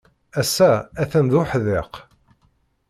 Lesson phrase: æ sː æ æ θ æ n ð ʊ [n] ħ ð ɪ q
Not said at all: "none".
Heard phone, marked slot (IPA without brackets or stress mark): none